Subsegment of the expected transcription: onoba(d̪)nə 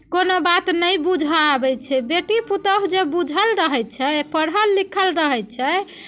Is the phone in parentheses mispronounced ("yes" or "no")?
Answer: yes